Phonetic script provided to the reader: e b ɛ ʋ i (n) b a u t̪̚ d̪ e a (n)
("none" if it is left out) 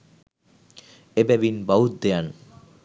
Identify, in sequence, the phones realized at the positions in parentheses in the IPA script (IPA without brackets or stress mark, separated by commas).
n, n